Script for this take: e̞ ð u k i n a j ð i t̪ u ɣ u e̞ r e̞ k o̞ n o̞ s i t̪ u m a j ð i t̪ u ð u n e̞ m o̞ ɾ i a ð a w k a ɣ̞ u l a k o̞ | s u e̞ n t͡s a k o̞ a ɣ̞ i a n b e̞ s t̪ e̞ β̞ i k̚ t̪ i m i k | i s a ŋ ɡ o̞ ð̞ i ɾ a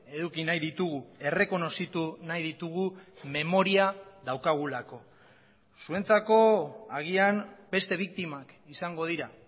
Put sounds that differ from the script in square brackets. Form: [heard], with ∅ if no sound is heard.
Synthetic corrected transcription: e̞ ð u k i n a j ð i t̪ u ɣ u e̞ r e̞ k o̞ n o̞ s i t̪ u [n] a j ð i t̪ u [ɣ] u [m] e̞ m o̞ ɾ i a ð a w k a ɣ̞ u l a k o̞ | s u e̞ n t͡s a k o̞ a ɣ̞ i a n b e̞ s t̪ e̞ β̞ i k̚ t̪ i m [a] k | i s a ŋ ɡ o̞ ð̞ i ɾ a